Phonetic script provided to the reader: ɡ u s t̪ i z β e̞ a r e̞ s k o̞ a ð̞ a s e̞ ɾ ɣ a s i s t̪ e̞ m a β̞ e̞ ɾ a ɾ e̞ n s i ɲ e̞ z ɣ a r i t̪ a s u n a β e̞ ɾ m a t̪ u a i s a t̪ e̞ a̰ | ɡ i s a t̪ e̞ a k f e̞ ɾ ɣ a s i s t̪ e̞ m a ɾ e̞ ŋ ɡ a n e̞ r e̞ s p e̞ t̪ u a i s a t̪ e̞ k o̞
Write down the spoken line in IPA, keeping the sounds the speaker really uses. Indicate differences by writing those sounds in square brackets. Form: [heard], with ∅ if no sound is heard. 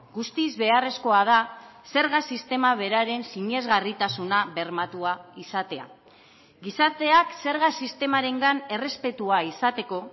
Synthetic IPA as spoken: ɡ u s t̪ i z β e̞ a r e̞ s k o̞ a ð̞ a s e̞ ɾ ɣ a s i s t̪ e̞ m a β̞ e̞ ɾ a ɾ e̞ n s i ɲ e̞ z ɣ a r i t̪ a s u n a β e̞ ɾ m a t̪ u a i s a t̪ e̞ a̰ | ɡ i s a t̪ e̞ a k [s] e̞ ɾ ɣ a s i s t̪ e̞ m a ɾ e̞ ŋ ɡ a n e̞ r e̞ s p e̞ t̪ u a i s a t̪ e̞ k o̞